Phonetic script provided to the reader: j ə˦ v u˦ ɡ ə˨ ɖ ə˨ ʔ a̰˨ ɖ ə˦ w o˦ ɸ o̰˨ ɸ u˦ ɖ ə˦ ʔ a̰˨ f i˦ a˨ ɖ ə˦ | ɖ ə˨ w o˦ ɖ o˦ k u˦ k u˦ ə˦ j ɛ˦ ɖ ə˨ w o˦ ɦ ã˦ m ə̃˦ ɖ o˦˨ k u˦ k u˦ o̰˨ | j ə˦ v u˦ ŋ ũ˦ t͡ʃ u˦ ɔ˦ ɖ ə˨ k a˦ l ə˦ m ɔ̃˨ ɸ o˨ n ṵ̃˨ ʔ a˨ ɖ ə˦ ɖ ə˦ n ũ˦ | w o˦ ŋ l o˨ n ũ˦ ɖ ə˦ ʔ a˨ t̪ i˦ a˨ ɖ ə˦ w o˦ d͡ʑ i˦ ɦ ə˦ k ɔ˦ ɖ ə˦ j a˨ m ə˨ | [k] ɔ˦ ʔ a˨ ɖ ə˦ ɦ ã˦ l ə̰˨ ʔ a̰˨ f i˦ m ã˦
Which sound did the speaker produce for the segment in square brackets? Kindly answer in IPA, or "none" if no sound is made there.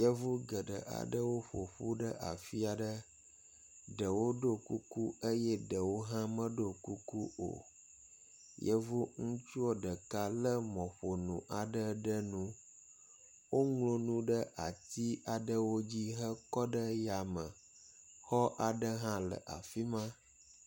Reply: x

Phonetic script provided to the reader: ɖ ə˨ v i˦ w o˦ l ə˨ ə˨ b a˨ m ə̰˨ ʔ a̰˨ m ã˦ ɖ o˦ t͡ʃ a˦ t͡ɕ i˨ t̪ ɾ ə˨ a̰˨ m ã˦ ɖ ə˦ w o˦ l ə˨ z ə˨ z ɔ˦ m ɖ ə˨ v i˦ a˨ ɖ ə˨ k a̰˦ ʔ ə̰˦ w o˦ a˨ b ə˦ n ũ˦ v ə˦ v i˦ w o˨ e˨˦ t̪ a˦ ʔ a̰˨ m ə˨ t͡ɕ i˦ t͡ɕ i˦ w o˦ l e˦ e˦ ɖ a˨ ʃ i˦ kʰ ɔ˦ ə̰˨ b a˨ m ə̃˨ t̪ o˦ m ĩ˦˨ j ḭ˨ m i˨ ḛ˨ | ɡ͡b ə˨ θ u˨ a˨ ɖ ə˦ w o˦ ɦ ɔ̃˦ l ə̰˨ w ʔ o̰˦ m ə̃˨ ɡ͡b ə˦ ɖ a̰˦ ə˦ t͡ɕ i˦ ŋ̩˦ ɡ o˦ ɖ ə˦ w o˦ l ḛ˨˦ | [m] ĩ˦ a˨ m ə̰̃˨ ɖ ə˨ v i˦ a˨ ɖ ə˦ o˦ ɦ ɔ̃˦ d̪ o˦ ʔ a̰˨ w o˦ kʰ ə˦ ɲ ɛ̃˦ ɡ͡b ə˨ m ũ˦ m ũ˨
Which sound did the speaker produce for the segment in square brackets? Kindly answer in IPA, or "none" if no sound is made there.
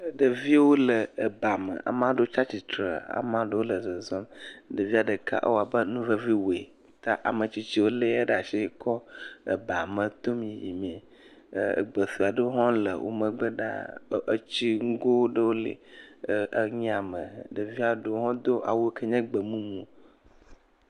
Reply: ɲ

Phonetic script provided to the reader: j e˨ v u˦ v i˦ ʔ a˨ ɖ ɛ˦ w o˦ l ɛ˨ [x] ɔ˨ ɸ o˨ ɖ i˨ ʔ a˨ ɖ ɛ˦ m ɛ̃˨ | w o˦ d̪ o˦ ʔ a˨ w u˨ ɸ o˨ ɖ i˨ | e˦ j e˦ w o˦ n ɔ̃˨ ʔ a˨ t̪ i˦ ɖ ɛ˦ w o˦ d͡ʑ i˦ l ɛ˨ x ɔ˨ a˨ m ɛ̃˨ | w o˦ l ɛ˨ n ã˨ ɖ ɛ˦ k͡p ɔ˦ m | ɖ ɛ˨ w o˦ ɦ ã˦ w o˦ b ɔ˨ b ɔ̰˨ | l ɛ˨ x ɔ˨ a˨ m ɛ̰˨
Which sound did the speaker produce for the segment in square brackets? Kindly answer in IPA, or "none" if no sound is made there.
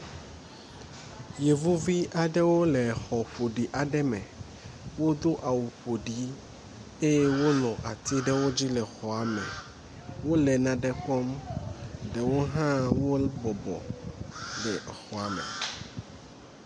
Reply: x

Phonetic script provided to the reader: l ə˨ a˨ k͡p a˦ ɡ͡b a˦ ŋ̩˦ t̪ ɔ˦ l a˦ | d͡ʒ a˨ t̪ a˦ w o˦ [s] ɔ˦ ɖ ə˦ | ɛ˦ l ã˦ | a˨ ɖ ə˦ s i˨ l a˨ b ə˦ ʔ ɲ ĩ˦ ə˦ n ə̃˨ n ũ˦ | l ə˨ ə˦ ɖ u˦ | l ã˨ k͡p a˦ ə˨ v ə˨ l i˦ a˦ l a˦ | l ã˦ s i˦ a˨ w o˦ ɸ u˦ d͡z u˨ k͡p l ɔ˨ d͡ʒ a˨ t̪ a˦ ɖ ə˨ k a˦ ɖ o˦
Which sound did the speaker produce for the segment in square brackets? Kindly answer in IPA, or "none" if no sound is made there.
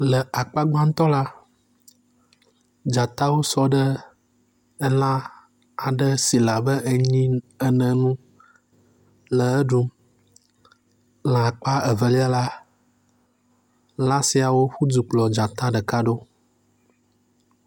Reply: s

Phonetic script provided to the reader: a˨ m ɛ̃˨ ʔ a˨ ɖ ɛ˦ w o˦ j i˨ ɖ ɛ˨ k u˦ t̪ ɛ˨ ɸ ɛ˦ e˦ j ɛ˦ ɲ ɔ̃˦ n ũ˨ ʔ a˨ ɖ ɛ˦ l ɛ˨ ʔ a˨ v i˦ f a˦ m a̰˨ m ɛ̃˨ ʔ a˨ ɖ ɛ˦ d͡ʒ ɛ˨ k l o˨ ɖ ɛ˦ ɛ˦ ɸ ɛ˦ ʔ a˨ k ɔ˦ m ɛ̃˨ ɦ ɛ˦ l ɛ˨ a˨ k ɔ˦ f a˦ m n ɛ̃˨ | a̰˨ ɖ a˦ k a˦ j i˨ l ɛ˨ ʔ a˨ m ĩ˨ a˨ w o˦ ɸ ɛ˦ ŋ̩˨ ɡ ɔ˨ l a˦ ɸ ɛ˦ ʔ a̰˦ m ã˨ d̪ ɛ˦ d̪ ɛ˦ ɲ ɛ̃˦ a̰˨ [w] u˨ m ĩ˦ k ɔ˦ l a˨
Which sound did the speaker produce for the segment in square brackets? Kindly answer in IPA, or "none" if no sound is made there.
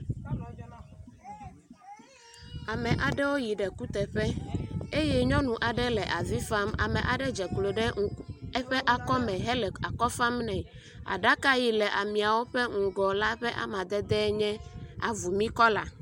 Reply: v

